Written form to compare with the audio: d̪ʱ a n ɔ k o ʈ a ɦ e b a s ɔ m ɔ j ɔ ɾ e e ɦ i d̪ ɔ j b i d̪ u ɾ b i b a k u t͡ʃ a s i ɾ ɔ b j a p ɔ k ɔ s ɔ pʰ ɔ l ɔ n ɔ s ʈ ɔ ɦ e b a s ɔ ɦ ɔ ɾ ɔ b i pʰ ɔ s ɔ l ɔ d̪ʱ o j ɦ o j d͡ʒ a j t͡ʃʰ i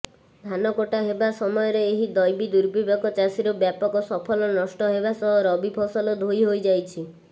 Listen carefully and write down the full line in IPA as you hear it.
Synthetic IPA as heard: d̪ʱ a n ɔ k o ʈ a ɦ e b a s ɔ m ɔ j ɔ ɾ e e ɦ i d̪ ɔ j b i d̪ u ɾ b i b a k ɔ t͡ʃ a s i ɾ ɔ b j a p ɔ k ɔ s ɔ pʰ ɔ l ɔ n ɔ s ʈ ɔ ɦ e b a s ɔ ɦ ɔ ɾ ɔ b i pʰ ɔ s ɔ l ɔ d̪ʱ o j ɦ o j d͡ʒ a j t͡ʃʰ i

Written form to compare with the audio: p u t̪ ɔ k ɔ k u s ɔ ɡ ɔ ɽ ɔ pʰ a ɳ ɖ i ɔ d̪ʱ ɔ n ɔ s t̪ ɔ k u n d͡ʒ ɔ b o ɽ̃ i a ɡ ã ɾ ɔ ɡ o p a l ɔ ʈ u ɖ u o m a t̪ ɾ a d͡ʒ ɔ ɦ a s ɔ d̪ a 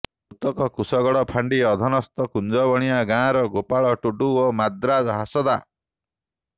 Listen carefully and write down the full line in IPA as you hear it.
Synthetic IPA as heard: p u t̪ ɔ k ɔ k u s ɔ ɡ ɔ ɽ ɔ pʰ a ɳ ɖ i ɔ d̪ʱ ɔ n ɔ s t̪ ɔ k u n d͡ʒ ɔ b ɔ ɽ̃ i a ɡ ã ɾ ɔ ɡ o p a ɭ ɔ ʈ u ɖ u o m a d̪ ɾ a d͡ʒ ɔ ɦ a s ɔ d̪ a

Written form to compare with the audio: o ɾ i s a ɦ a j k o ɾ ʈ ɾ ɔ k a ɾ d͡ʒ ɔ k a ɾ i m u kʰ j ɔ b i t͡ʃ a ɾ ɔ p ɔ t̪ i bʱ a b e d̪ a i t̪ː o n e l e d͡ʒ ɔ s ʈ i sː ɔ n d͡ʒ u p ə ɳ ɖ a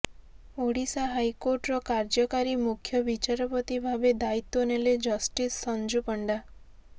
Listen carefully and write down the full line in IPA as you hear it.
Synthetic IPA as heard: o ɽ i s a ɦ a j k o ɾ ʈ ɾ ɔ k a ɾ d͡ʒ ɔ k a ɾ i m u kʰ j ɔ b i t͡ʃ a ɾ ɔ p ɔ t̪ i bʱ a b e d̪ a i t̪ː o n e l e d͡ʒ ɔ s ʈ i sː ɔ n d͡ʒ u p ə ɳ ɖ a

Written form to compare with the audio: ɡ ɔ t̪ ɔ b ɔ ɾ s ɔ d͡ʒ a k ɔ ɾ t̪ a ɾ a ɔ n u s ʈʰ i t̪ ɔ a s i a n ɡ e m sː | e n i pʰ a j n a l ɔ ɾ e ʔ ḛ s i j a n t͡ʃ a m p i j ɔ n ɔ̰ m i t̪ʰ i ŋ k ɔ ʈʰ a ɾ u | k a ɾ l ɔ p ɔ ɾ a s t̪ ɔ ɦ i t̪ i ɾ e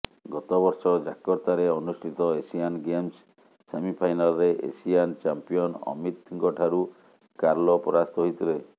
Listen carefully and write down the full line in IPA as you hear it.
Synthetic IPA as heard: ɡ ɔ t̪ ɔ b ɔ ɾ s ɔ d͡ʒ a k ɔ ɾ t̪ a ɾ e ɔ n u s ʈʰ i t̪ ɔ e s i a n ɡ e m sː | e m i pʰ a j n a l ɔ ɾ e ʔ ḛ s i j a n t͡ʃ a m p i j ɔ n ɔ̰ m i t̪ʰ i ŋ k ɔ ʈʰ a ɾ u | k a ɾ l ɔ p ɔ ɾ a s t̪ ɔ ɦ i t̪ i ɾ e

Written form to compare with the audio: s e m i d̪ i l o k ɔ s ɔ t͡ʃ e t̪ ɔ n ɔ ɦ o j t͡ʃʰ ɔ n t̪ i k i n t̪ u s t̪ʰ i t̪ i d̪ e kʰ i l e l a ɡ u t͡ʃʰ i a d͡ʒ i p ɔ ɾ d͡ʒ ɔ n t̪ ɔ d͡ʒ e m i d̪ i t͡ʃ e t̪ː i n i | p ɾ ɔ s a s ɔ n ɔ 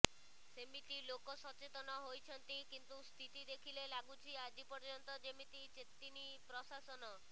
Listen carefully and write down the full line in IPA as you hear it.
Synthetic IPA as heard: s e m i t̪ i l o k ɔ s ɔ t͡ʃ e t̪ ɔ n ɔ ɦ o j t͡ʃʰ ɔ n t̪ i k i n t̪ u s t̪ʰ i t̪ i d̪ e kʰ i l e l a ɡ u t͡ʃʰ i a d͡ʒ i p ɔ ɾ d͡ʒ ɔ n t̪ ɔ d͡ʒ e m i t̪ i t͡ʃ e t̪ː i n i | p ɾ ɔ s a s ɔ n ɔ

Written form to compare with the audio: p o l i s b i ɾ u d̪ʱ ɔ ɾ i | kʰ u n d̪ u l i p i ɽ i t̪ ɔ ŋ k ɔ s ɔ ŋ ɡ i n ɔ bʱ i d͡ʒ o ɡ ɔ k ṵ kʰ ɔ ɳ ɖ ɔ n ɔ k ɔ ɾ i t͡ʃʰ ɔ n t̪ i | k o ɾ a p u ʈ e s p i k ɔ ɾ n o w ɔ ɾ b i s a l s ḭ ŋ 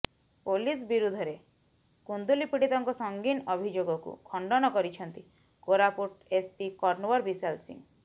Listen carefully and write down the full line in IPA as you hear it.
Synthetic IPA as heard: p o l i s b i ɾ u d̪ʱ ɔ ɾ e | k u n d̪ u l i p i ɽ i t̪ ɔ ŋ k ɔ s ɔ ŋ ɡ i n ɔ bʱ i d͡ʒ o ɡ ɔ k ṵ kʰ ɔ ɳ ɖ ɔ n ɔ k ɔ ɾ i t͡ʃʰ ɔ n t̪ i | k o ɾ a p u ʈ e s p i k ɔ ɾ n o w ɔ ɾ b i s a l s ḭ ŋ

